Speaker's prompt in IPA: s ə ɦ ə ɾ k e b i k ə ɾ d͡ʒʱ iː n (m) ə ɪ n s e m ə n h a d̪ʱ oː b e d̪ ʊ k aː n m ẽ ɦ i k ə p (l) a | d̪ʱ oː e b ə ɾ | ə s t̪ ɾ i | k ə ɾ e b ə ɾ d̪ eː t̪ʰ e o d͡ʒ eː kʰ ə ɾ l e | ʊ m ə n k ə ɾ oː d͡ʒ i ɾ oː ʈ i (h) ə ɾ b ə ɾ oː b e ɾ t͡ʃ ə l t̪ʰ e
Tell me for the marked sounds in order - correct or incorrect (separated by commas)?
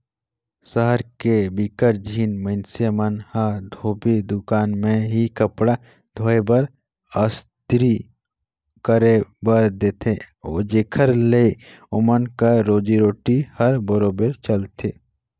correct, incorrect, correct